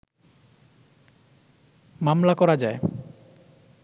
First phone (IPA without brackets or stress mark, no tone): m